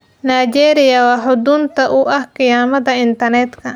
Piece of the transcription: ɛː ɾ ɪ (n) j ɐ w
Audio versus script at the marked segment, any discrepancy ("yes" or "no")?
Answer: yes